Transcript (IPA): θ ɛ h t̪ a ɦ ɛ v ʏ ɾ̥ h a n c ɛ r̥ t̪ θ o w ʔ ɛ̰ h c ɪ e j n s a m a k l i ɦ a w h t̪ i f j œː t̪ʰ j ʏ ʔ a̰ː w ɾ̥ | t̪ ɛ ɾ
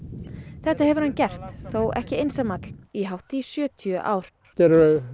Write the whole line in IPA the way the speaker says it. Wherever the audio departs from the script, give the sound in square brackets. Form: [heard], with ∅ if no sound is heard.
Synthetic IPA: θ ɛ h t̪ a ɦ ɛ v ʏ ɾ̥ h a n c ɛ r̥ t̪ θ o w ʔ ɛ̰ h c ɪ e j n s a m a k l i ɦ a w h t̪ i [s] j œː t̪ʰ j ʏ ʔ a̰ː w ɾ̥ | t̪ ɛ ɾ

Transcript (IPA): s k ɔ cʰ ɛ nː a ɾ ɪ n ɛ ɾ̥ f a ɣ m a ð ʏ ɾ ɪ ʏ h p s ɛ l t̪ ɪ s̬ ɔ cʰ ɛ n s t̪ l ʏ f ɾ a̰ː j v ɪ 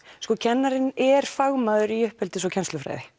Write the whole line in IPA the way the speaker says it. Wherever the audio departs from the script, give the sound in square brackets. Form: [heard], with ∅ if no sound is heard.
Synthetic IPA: s k ɔ cʰ ɛ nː a ɾ ɪ n ɛ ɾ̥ f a ɣ m a ð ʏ ɾ [i] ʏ h p [h] ɛ l t̪ ɪ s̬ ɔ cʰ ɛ n s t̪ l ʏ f ɾ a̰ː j [ð] ɪ

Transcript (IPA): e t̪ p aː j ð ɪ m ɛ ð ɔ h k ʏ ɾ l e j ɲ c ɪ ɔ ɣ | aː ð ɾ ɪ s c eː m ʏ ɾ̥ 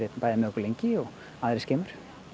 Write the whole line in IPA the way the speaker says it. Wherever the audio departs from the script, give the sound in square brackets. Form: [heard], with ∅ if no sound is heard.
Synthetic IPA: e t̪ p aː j ð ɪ m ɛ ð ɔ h k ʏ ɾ l e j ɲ c ɪ ɔ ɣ | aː ð ɾ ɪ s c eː m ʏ ɾ̥

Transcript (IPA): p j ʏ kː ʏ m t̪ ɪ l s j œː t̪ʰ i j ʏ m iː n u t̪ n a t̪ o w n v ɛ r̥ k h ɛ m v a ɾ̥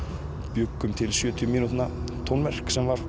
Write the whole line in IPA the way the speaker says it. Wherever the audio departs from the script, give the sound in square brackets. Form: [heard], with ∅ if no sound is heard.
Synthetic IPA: p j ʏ kː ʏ m [t̪ʰ] ɪ l s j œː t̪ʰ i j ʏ m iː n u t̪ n a [t̪ʰ] o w n v ɛ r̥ k [s] ɛ m v a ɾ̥

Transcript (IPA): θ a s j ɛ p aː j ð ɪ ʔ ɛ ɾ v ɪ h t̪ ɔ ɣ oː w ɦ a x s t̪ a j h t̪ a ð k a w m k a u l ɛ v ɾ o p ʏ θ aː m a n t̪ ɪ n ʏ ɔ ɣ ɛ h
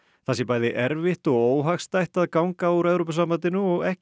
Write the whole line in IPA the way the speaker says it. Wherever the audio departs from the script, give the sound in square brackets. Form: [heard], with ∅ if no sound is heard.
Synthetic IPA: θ a s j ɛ p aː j ð ɪ ʔ ɛ ɾ v ɪ h t̪ ɔ ɣ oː w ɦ a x s t̪ a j h t̪ a ð k a w [ŋ] k a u [ɾ] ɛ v ɾ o p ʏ [s] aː m a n t̪ ɪ n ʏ ɔ ɣ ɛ h

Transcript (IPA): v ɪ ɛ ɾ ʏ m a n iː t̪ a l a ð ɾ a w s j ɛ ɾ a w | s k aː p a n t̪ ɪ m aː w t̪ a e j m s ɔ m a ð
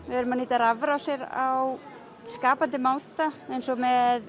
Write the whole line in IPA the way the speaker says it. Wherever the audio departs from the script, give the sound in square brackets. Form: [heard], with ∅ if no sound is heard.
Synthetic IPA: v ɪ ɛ ɾ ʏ m a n iː t̪ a [ɾ] a [v] ɾ a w s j ɛ ɾ a w | s k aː p a n t̪ ɪ m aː w t̪ a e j [n] s ɔ m [ɛ] ð

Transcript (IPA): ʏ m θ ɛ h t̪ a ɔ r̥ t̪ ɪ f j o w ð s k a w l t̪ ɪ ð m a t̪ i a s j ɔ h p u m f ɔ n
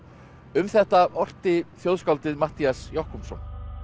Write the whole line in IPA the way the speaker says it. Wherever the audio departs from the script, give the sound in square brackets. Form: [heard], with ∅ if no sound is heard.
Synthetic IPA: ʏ m θ ɛ h t̪ a ɔ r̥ t̪ ɪ [θ] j o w ð s k a w l t̪ ɪ ð m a t̪ i a s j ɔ h [k] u m [s] ɔ n

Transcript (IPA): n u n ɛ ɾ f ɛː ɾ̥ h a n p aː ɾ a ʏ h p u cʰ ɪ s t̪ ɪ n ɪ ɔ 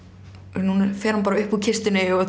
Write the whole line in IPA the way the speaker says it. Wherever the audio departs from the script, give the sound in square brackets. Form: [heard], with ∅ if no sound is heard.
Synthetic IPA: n u n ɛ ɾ f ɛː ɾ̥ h a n p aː ɾ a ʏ h p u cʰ ɪ s t̪ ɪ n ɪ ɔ

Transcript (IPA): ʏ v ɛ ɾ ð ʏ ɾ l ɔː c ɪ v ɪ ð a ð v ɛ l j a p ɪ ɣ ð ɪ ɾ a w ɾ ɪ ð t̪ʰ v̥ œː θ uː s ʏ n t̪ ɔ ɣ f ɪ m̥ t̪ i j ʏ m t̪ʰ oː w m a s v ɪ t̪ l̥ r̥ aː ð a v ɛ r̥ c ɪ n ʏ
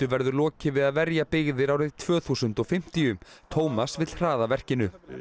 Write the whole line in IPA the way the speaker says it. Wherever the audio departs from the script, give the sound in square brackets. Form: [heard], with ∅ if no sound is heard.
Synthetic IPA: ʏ v ɛ ɾ ð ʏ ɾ l ɔː c ɪ v ɪ ð a ð v ɛ [ɾ] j a p ɪ ɣ ð ɪ ɾ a w ɾ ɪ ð t̪ʰ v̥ œː θ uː s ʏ n t̪ ɔ ɣ f ɪ m̥ t̪ i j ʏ m t̪ʰ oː w m a s v ɪ t̪ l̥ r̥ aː ð a v ɛ r̥ c ɪ n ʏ

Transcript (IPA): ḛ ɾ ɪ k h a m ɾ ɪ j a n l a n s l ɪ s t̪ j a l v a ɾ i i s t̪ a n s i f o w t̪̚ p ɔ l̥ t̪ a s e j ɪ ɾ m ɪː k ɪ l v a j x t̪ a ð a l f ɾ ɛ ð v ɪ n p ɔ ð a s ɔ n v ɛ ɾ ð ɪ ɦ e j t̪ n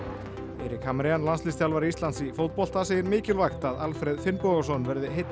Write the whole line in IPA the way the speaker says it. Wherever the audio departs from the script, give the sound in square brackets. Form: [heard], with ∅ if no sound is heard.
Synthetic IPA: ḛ ɾ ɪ k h a m ɾ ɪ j a n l a n s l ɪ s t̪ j a l v a ɾ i i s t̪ a n s i f o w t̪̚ p ɔ l̥ t̪ a s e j ɪ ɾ m ɪː [c] ɪ l v a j x t̪ a ð a l f ɾ ɛ ð [f] ɪ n p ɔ [ɣ] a s ɔ n v ɛ ɾ ð ɪ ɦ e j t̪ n

